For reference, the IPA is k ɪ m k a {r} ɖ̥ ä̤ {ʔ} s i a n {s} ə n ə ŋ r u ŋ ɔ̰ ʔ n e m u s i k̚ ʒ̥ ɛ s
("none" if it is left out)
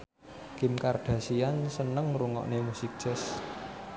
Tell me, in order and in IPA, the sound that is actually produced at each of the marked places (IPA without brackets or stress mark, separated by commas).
r, none, s